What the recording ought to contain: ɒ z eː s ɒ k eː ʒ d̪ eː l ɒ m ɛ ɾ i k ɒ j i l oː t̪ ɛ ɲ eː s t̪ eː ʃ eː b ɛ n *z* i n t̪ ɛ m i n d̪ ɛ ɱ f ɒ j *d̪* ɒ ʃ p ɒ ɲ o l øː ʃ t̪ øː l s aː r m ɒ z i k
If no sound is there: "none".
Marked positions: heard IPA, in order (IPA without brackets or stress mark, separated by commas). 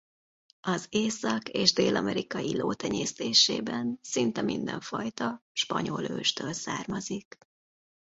s, t̪